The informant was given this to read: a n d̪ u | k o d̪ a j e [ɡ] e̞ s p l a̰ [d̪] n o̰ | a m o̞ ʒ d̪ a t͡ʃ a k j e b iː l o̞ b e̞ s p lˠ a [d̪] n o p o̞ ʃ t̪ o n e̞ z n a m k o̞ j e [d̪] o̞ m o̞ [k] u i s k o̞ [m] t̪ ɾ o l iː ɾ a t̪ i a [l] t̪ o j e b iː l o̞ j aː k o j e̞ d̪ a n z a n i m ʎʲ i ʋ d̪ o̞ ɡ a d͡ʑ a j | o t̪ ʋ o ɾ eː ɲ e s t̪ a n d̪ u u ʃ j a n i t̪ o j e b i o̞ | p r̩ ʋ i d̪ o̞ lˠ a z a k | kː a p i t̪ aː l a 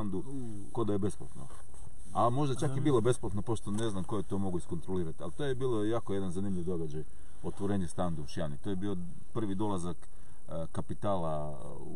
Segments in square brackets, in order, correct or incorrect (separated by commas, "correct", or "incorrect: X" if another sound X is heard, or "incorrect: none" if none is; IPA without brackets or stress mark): incorrect: b, incorrect: t̪, incorrect: t̪, incorrect: t̪, incorrect: ɡ, incorrect: n, correct